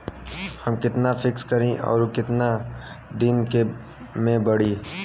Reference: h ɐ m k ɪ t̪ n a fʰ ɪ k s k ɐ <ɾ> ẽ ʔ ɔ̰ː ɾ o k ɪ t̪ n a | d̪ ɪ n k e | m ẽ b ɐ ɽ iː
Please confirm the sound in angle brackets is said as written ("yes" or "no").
yes